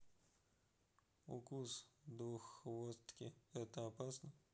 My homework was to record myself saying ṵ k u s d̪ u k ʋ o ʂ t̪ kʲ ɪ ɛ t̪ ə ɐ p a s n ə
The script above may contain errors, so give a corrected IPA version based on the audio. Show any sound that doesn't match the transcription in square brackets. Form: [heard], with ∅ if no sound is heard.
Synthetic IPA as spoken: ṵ k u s d̪ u [x] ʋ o [s] t̪ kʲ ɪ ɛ t̪ ə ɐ p a s n ə